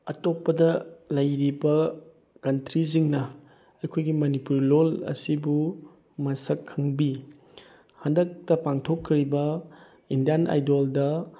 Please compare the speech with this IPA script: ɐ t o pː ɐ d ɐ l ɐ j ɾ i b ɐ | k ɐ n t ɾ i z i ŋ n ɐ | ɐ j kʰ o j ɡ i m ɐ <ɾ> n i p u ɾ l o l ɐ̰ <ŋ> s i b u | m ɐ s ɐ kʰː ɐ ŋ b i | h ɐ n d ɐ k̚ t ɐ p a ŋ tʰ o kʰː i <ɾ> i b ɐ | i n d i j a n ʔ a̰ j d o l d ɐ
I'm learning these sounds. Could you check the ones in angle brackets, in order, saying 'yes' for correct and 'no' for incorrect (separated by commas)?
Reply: no, no, yes